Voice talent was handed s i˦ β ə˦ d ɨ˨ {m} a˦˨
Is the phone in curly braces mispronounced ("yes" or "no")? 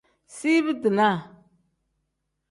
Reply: yes